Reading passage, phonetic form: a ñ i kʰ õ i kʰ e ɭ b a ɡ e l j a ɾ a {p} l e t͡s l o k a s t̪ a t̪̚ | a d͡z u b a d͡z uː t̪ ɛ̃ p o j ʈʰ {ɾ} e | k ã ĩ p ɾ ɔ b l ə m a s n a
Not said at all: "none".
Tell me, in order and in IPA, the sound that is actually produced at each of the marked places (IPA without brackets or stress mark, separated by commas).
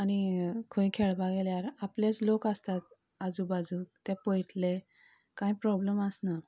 p, l